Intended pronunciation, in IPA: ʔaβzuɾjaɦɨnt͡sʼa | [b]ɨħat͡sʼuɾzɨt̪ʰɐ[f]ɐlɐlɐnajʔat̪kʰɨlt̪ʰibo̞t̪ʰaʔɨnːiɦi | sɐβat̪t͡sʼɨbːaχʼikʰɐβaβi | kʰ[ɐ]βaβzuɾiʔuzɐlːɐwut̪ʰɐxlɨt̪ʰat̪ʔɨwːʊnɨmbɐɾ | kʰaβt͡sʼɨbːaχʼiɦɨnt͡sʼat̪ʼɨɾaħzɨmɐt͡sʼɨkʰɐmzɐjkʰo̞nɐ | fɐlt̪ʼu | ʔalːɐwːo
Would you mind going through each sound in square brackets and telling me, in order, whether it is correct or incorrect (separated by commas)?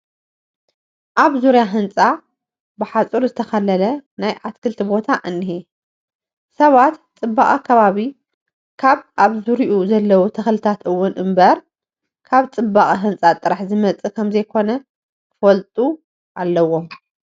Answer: correct, incorrect, incorrect